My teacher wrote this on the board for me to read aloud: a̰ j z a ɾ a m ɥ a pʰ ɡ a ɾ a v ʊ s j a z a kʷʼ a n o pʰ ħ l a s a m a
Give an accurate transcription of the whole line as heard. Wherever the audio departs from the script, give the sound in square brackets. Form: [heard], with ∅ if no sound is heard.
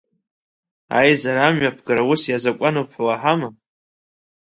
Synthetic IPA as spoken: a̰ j z a ɾ a m ɥ a pʰ ɡ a ɾ a [w] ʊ s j a z a kʷʼ a n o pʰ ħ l a [ħ] a m a